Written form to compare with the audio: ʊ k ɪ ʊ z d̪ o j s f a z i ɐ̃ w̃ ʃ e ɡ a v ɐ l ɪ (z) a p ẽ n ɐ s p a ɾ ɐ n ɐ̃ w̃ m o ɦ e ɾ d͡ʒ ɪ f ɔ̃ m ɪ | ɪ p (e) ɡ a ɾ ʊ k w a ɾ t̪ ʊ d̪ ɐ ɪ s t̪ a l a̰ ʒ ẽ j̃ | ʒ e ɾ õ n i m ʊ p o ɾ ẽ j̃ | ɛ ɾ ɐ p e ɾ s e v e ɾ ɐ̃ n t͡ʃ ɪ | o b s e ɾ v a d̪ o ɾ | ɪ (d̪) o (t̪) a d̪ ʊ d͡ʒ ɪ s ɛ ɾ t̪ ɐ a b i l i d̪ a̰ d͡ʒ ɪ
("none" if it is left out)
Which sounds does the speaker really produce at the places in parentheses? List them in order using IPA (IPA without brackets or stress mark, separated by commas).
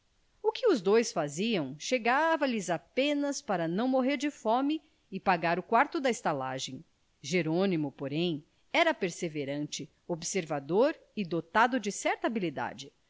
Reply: z, a, d̪, t̪